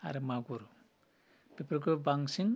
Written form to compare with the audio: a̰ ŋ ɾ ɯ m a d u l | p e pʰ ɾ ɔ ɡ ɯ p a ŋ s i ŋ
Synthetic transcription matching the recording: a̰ ɾ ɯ m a ɡ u ɾ | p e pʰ ɾ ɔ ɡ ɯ b a ŋ s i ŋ